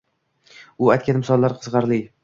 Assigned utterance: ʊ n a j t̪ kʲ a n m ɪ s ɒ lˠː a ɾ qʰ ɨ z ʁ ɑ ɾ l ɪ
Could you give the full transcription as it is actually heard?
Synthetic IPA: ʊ a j t̪ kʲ a n m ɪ s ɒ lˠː a ɾ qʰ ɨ z ʁ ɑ ɾ l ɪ